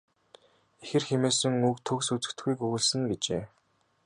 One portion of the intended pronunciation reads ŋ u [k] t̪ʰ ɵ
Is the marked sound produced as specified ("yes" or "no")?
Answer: yes